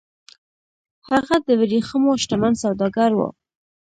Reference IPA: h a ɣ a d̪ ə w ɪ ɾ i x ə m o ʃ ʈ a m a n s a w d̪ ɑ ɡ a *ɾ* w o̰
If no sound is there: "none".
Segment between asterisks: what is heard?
ɾ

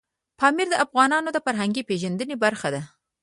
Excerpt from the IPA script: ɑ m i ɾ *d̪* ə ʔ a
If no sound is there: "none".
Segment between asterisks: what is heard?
d̪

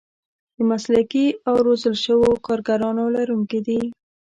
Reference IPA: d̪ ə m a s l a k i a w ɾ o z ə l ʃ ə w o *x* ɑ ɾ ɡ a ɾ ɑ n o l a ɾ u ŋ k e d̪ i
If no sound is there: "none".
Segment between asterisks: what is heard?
k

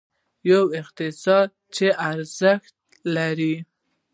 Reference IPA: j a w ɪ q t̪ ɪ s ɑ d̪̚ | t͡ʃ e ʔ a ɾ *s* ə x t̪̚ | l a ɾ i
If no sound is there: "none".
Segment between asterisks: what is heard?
z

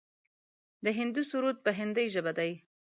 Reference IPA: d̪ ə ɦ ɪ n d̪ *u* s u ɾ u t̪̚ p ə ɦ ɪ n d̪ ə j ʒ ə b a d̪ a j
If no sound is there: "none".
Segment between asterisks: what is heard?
u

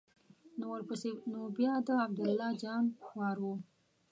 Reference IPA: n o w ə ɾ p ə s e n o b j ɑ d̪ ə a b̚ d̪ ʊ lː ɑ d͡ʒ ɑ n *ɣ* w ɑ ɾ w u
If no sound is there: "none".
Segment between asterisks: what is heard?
x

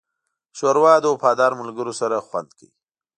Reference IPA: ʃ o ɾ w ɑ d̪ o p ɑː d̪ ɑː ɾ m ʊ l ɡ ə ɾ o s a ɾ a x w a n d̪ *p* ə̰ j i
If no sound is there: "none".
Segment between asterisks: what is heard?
k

